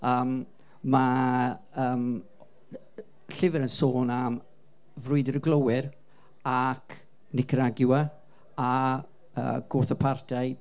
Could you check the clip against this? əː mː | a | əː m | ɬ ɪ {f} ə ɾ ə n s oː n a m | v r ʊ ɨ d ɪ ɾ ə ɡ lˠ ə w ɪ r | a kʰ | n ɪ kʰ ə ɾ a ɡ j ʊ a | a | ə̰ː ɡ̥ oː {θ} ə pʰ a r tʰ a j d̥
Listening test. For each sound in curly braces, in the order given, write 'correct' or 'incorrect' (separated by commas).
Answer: incorrect, correct